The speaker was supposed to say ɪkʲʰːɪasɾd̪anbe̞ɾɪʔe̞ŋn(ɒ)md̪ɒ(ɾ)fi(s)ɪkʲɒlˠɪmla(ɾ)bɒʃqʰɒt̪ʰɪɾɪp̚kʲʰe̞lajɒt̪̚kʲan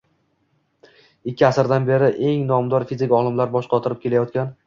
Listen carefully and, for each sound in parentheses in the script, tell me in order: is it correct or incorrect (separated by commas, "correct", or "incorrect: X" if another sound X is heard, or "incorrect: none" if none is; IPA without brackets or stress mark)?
correct, correct, incorrect: z, correct